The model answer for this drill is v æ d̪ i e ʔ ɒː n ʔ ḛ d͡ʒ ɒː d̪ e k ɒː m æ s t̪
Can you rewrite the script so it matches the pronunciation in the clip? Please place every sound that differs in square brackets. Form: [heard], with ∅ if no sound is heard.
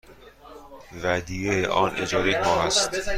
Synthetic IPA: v æ d̪ i e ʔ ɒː n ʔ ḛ d͡ʒ ɒː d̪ e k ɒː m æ s t̪